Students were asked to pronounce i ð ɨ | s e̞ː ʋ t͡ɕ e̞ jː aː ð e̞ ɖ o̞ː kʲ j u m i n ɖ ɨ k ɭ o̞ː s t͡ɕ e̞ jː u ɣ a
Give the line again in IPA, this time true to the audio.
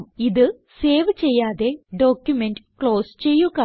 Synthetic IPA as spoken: i ð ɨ | s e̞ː ʋ t͡ɕ e̞ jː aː ð e̞ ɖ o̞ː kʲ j u m e n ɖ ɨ k ɭ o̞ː s t͡ɕ e̞ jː u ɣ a